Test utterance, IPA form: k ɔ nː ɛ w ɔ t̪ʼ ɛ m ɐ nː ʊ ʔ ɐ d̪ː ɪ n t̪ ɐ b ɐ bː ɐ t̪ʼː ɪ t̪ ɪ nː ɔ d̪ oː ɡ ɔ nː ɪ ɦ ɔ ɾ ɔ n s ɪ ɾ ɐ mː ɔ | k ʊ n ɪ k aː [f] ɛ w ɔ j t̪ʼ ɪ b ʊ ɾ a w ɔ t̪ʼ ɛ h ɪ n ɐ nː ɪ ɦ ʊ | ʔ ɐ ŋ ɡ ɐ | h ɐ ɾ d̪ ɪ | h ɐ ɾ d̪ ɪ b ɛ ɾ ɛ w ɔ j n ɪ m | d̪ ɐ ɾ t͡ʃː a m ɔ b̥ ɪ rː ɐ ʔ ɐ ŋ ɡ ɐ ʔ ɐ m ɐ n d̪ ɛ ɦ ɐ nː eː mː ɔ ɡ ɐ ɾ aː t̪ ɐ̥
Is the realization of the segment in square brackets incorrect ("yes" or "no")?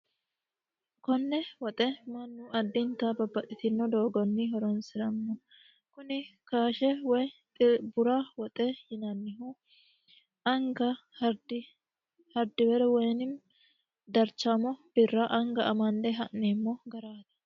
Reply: yes